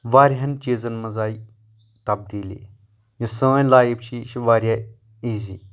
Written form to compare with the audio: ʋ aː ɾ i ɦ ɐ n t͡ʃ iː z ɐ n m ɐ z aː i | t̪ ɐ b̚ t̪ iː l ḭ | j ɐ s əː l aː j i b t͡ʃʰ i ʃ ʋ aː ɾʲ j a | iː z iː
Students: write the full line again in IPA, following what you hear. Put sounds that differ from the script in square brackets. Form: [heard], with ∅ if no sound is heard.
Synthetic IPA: ʋ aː ɾ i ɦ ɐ n t͡ʃ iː z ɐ n m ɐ z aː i | t̪ ɐ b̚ [d̪] iː l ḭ | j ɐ s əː l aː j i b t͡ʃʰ i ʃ ʋ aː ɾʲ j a | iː z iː